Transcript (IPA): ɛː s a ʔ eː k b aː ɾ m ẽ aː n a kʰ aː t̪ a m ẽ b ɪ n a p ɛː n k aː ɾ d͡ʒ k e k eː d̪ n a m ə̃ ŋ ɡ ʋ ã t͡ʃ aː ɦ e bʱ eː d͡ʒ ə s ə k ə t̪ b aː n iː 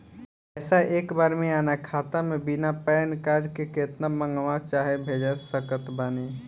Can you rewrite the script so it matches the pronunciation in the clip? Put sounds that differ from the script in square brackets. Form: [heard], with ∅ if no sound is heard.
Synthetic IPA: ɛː s a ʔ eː k b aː ɾ m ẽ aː n a kʰ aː t̪ a m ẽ b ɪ n a p ɛː n k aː ɾ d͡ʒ k e k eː [t̪] n a m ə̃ ŋ ɡ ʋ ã t͡ʃ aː ɦ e bʱ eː d͡ʒ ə s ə k ə t̪ b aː n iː